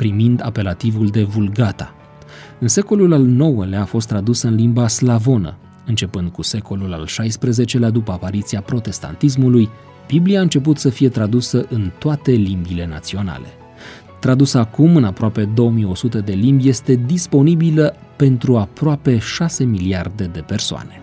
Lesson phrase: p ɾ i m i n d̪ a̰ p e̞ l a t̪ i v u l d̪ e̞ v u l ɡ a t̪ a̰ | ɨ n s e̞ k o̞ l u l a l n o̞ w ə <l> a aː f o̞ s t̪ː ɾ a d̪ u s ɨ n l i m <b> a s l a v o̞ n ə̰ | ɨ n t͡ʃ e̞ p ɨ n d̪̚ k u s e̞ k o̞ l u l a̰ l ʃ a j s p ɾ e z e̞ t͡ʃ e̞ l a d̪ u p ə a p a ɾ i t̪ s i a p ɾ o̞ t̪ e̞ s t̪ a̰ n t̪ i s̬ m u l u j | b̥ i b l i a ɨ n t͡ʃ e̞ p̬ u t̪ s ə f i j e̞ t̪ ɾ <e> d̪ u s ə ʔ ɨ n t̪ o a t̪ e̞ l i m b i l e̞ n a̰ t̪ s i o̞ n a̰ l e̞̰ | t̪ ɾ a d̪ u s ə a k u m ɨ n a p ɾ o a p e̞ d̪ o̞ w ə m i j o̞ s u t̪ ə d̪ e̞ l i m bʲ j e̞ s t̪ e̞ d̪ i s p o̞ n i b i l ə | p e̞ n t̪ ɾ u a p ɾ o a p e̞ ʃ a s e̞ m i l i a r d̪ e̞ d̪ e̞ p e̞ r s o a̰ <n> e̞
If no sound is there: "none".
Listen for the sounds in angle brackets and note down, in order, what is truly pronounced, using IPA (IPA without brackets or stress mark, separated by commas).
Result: l, b, a, n